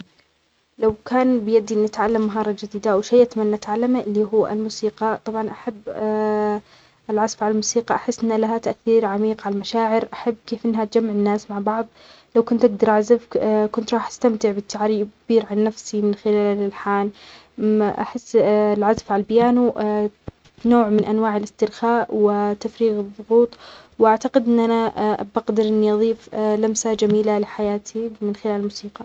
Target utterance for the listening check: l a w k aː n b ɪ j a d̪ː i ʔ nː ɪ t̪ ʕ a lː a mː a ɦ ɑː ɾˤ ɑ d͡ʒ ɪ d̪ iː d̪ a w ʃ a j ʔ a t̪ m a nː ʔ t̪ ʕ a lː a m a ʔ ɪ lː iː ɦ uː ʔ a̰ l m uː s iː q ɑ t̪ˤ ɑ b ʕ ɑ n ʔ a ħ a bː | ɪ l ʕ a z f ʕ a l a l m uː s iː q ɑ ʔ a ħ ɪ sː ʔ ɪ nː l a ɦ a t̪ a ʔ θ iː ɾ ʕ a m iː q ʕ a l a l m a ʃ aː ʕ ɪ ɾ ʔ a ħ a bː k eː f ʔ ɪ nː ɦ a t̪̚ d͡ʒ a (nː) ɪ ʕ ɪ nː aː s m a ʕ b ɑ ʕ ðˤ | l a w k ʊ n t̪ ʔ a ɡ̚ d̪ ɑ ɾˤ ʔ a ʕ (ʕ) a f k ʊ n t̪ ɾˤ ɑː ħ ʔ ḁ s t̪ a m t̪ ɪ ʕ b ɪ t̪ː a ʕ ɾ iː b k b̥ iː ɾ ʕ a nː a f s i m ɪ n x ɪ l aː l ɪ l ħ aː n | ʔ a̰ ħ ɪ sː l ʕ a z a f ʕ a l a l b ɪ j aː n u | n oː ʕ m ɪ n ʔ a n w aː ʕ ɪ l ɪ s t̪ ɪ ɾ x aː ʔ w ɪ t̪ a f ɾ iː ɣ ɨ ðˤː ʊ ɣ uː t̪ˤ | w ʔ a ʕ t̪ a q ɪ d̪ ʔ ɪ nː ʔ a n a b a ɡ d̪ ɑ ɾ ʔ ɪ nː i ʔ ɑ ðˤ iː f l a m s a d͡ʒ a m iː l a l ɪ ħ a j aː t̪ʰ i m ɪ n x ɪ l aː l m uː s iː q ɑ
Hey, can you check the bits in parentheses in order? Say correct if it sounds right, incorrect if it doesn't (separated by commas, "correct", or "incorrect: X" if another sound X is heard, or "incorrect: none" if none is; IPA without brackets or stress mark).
incorrect: mː, incorrect: z